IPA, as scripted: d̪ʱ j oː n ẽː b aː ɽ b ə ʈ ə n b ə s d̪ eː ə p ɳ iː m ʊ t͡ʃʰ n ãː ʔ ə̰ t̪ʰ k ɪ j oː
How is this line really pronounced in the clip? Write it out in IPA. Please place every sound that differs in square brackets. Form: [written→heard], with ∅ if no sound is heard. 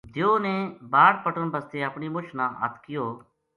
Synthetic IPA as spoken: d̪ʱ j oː n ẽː b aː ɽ [b→p] ə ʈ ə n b ə s [d̪→t̪] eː ə p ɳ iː m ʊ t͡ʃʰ n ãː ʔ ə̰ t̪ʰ k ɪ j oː